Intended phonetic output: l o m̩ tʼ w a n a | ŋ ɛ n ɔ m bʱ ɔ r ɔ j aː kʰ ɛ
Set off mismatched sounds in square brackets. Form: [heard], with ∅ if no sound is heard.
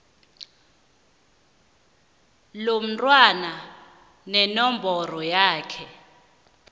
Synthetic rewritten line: l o m̩ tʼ w a n a | [n] ɛ n ɔ m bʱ ɔ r ɔ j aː kʰ ɛ